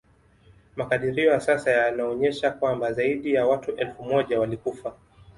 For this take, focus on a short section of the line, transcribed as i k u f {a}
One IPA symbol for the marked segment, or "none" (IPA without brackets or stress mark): a